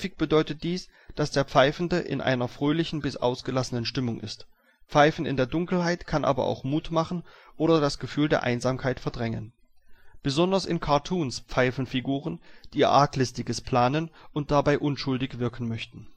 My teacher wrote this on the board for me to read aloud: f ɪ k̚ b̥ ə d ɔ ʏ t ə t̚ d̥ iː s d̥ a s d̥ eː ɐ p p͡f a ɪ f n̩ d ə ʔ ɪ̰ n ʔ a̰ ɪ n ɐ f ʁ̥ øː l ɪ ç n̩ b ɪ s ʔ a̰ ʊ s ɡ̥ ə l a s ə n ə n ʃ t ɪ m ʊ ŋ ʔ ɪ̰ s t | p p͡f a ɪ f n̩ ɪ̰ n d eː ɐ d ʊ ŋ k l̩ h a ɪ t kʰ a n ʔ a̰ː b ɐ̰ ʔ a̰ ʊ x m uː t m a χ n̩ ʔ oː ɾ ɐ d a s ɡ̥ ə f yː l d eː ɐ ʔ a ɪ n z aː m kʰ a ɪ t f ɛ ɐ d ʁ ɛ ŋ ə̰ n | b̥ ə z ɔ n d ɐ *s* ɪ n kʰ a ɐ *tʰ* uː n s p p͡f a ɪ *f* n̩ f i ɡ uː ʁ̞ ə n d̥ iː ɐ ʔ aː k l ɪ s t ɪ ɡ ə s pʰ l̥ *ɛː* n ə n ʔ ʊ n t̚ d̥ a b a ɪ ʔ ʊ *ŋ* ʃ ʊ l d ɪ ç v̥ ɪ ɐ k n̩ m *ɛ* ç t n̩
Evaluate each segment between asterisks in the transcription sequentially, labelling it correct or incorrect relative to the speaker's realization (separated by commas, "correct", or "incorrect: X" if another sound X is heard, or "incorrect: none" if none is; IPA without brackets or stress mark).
correct, correct, correct, incorrect: aː, incorrect: n, incorrect: œ